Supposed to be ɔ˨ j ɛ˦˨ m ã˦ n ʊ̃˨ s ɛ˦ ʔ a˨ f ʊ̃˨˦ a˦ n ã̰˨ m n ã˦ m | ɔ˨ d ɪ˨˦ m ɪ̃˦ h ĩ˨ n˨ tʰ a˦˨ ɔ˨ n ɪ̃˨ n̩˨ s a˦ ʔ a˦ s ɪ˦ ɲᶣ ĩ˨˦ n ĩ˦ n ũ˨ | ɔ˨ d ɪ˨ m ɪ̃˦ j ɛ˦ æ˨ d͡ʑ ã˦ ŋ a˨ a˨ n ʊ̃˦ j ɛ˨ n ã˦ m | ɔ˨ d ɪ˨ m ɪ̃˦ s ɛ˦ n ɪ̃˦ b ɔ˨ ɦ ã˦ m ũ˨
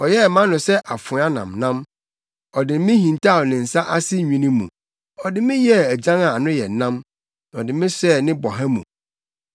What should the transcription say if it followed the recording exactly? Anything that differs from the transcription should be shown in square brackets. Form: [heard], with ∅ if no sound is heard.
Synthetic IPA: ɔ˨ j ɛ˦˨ m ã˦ n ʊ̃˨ s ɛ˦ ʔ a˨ f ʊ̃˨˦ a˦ n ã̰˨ m n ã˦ m | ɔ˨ d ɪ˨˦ m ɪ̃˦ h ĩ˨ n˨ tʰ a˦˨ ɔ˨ n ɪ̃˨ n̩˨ s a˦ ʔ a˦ s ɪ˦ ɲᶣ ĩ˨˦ n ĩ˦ [m] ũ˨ | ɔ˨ d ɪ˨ m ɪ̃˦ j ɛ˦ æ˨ d͡ʑ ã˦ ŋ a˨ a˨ n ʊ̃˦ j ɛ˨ n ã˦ m | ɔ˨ d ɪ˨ m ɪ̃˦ s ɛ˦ n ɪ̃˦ b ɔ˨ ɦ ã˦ m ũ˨